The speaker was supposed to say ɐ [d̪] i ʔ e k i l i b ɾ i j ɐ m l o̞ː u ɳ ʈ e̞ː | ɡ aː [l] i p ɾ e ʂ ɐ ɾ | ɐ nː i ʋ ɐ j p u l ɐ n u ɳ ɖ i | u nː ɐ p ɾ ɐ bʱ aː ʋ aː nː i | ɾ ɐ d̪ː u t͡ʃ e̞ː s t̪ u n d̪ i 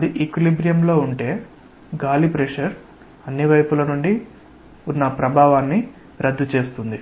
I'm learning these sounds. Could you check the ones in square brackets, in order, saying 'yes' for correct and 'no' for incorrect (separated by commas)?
yes, yes